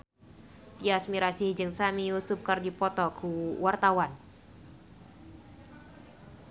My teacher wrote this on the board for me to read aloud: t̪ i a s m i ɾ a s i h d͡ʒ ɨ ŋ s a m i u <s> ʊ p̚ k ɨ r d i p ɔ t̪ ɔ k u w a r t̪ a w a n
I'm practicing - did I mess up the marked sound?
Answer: no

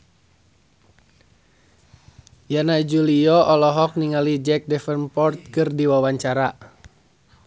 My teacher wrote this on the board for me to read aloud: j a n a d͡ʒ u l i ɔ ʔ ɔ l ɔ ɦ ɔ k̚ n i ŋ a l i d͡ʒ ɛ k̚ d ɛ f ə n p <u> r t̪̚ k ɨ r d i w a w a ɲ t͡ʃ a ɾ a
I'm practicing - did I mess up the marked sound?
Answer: yes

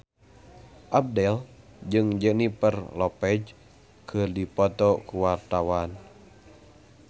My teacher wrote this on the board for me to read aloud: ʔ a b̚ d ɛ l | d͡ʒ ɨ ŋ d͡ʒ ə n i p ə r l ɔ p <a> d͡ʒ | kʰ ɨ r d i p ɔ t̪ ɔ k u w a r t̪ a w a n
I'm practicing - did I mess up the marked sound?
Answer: yes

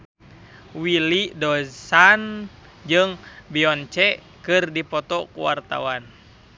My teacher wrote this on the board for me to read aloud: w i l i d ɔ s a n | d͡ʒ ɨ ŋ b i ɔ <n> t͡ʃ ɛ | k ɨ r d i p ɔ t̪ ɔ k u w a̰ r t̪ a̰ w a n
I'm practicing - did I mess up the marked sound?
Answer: no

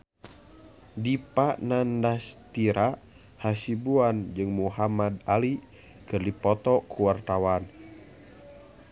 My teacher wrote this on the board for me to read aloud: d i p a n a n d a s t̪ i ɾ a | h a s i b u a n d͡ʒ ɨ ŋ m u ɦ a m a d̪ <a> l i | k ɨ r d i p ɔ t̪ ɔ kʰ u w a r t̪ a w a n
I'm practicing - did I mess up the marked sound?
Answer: no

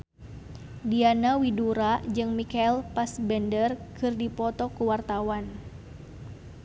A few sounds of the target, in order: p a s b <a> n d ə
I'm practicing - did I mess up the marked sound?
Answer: yes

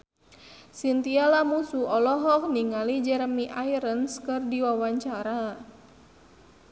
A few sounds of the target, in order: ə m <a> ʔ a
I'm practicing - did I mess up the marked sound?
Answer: yes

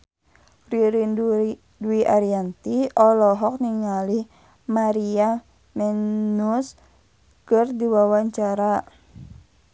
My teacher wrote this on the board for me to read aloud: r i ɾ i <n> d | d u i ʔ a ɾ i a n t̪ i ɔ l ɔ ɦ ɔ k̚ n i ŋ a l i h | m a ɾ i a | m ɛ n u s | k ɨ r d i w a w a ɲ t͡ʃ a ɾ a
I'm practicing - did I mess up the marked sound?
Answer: no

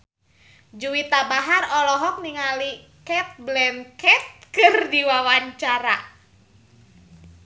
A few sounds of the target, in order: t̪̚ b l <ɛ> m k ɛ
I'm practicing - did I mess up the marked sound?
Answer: no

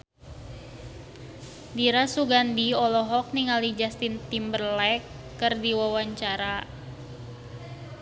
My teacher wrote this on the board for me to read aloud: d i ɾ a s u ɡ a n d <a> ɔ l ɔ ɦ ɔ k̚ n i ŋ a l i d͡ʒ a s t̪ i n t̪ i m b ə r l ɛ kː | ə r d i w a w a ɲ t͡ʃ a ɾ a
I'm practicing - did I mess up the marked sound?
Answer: yes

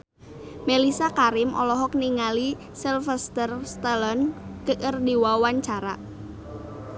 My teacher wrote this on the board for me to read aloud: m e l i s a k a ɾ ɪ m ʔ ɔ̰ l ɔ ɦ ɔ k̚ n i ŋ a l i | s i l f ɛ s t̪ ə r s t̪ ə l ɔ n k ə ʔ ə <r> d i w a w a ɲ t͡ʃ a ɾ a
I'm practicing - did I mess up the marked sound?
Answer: no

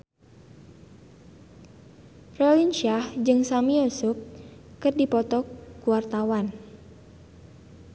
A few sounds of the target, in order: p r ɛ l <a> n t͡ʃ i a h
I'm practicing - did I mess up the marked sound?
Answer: yes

